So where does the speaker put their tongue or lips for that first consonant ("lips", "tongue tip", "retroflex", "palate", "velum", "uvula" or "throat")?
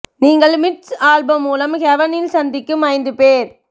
tongue tip